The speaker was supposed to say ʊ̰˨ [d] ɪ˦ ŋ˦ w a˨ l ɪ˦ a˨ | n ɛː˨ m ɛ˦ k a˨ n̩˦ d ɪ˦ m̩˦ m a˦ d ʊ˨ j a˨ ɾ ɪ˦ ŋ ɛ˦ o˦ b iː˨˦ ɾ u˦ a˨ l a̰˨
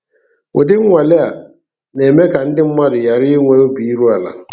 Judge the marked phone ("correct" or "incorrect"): correct